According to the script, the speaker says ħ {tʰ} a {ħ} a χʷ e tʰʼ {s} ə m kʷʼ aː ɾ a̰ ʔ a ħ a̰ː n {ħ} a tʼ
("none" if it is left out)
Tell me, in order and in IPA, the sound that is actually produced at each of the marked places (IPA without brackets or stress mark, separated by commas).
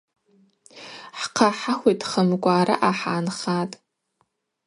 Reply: qʰ, ħ, χ, χ